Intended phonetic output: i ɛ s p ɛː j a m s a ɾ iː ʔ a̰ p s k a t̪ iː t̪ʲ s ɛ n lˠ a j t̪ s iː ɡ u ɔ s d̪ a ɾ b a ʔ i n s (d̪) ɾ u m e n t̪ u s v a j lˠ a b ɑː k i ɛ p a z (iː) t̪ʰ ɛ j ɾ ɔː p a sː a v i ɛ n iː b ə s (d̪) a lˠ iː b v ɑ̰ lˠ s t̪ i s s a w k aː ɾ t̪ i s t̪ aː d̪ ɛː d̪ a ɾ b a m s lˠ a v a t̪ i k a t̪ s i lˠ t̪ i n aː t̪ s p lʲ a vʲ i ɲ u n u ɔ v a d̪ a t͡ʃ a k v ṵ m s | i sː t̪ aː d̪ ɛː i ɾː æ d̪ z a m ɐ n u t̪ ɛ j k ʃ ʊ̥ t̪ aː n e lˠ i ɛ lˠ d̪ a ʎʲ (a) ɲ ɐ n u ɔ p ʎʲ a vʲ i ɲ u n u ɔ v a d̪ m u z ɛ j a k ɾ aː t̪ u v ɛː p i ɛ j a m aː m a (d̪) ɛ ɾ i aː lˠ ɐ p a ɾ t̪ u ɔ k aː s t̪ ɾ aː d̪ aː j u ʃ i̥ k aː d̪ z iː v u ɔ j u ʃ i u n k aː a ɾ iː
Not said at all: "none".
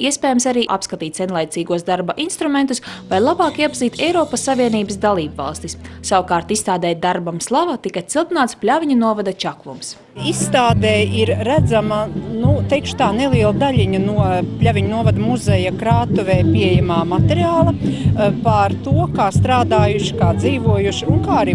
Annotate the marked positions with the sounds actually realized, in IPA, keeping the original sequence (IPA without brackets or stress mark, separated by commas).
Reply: t̪, iː, d̪, i, t̪